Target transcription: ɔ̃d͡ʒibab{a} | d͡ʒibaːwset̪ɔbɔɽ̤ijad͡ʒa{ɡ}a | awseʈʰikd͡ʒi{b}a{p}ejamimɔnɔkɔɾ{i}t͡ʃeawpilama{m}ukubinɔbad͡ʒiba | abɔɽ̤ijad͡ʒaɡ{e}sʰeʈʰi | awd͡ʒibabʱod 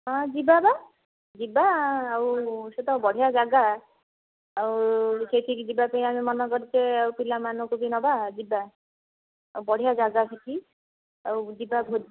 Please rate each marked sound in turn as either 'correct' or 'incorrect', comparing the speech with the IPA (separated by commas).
correct, correct, correct, correct, correct, incorrect, incorrect